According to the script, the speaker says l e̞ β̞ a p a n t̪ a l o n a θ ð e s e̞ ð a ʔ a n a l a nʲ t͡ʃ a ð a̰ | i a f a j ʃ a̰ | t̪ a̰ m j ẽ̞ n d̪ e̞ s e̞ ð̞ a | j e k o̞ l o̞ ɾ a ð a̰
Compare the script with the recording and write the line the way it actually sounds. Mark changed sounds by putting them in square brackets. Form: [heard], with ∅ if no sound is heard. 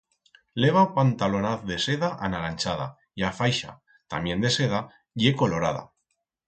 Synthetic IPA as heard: l e̞ β̞ a p a n t̪ a l o n a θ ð e s e̞ ð a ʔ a n a l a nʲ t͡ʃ a ð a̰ | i a f a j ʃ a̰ | t̪ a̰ m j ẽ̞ n d̪ e̞ s e̞ ð̞ a | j e k o̞ l o̞ ɾ a ð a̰